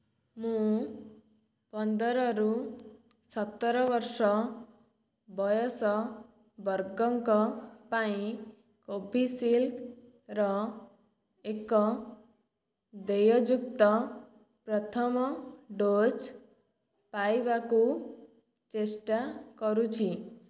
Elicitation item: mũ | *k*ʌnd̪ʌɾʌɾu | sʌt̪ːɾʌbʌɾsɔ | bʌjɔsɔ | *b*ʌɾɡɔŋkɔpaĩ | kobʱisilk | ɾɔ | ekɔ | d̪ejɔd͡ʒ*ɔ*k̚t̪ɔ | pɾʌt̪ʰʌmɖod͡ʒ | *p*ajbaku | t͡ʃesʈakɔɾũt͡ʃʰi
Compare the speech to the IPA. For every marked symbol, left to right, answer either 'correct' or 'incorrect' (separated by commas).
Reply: incorrect, correct, incorrect, correct